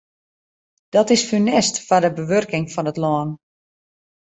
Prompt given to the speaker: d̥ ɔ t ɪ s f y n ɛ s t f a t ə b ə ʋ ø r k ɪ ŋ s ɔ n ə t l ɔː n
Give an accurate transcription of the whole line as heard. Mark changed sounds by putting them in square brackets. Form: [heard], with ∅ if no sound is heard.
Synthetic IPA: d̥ ɔ t ɪ s f y n ɛ s t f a [d] ə b ə ʋ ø r k ɪ ŋ [f] ɔ n ə t l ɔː n